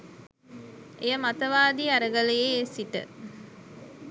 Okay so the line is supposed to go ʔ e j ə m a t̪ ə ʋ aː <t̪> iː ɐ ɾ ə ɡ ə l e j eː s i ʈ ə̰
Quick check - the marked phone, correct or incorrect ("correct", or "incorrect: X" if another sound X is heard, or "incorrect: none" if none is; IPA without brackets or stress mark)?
incorrect: d̪